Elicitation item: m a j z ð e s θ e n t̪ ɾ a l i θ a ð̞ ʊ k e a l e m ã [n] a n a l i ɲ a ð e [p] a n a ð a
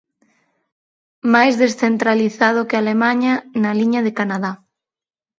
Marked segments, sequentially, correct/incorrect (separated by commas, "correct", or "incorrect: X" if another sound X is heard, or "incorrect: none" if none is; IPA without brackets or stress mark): incorrect: ɲ, incorrect: k